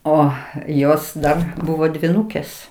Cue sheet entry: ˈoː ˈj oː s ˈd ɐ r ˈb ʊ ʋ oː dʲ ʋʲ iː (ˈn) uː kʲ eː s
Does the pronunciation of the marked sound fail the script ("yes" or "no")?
no